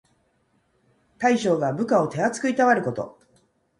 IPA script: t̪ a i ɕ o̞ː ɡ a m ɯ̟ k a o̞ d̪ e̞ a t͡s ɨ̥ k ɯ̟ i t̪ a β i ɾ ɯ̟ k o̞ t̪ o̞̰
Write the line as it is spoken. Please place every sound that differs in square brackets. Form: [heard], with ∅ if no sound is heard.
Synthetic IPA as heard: t̪ a i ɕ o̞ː ɡ a [b] ɯ̟ k a o̞ [t̪] e̞ a t͡s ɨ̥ k ɯ̟ i t̪ a β [a] ɾ ɯ̟ k o̞ t̪ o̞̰